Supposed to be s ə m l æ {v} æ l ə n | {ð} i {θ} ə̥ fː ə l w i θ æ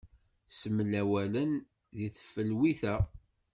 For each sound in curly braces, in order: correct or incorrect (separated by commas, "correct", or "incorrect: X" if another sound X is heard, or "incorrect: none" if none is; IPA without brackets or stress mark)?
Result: incorrect: w, correct, correct